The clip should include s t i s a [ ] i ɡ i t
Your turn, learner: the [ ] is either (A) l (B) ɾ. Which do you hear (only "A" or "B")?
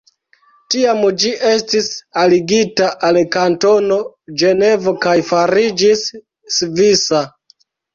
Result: A